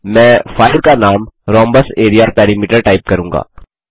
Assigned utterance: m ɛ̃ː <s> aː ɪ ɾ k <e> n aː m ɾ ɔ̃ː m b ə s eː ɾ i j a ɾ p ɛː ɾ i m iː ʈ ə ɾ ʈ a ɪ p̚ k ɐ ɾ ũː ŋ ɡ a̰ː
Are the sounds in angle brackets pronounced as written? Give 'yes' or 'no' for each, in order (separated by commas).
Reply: no, no